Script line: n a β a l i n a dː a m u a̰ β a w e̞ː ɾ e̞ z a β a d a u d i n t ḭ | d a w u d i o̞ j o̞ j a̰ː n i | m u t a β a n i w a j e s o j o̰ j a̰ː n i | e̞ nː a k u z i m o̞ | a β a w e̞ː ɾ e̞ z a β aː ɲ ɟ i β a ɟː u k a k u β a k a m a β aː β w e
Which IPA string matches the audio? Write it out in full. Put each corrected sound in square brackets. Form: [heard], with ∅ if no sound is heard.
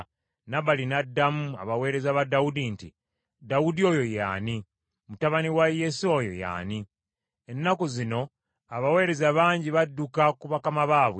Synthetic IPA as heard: n a β a l i n a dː a m u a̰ β a w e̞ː ɾ e̞ z a β a d a u d i n t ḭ | d a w u d i o̞ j o̞ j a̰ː n i | m u t a β a n i w a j e s o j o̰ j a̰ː n i | e̞ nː a k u z i [n] o̞ | a β a w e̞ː ɾ e̞ z a β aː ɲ ɟ i β a [dː] u k a k u β a k a m a β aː β w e